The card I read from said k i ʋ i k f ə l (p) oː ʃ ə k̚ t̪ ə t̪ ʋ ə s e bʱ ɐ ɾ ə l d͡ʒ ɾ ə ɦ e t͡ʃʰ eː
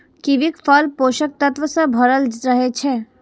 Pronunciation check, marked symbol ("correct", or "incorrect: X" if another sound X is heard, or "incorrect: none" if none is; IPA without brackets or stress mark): correct